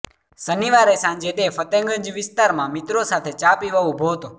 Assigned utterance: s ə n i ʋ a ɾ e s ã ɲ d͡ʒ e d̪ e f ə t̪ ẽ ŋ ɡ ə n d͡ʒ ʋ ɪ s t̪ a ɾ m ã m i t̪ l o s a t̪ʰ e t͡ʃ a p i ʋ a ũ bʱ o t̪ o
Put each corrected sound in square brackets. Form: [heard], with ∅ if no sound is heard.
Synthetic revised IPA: s ə n i ʋ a ɾ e s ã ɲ d͡ʒ e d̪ e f ə t̪ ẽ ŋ ɡ ə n d͡ʒ ʋ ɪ s t̪ a ɾ m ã m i t̪ [ɾ] o s a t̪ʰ e t͡ʃ a p i ʋ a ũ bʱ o t̪ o